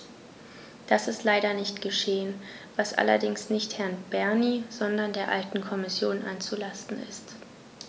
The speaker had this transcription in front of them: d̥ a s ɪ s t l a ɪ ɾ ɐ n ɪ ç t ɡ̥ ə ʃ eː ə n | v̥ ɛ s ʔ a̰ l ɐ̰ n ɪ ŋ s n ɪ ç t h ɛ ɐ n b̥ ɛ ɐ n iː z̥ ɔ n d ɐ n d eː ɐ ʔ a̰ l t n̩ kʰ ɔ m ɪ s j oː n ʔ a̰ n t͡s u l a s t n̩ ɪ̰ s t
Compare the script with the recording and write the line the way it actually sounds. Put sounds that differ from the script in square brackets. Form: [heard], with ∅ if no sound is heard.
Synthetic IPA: d̥ a s ɪ s t l a ɪ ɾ ɐ n ɪ ç t ɡ̥ ə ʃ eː ə n | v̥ [a] s ʔ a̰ l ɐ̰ [d] ɪ ŋ s n ɪ ç t h ɛ ɐ n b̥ ɛ ɐ n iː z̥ ɔ n d ɐ n d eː ɐ ʔ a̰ l t n̩ kʰ ɔ m ɪ s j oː n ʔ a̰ n t͡s u l a s t n̩ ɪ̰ s t